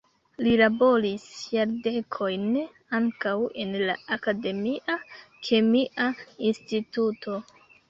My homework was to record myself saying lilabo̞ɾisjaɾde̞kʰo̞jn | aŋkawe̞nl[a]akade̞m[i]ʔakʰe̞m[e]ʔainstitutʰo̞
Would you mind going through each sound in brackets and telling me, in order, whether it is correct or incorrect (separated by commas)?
correct, correct, incorrect